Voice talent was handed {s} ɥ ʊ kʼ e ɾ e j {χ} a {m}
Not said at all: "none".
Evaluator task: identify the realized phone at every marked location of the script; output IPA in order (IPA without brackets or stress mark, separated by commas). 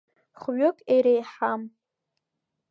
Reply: χ, ħ, m